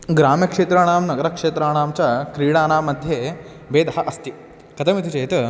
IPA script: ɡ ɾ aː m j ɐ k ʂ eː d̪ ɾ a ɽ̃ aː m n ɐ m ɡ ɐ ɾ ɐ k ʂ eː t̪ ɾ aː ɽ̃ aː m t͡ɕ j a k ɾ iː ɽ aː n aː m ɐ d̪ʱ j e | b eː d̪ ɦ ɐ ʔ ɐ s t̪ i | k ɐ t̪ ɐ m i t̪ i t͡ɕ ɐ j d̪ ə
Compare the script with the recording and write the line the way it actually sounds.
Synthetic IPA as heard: ɡ ɾ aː m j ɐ k ʂ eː t̪ ɾ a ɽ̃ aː m n ɐ ɡ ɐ ɾ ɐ k ʂ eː t̪ ɾ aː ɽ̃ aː m t͡ɕ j a k ɾ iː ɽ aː n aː m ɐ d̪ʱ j e | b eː d̪ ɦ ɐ ʔ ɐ s t̪ i | k ɐ t̪ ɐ m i t̪ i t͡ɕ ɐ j t̪ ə